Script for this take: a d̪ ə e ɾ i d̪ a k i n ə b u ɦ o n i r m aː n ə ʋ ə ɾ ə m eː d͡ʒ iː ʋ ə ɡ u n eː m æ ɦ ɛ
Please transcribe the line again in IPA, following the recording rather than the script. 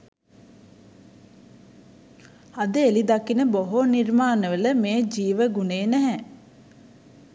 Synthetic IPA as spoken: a d̪ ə e l i d̪ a k i n ə b o ɦ o n i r m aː n ə ʋ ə l ə m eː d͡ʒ iː ʋ ə ɡ u n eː n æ ɦ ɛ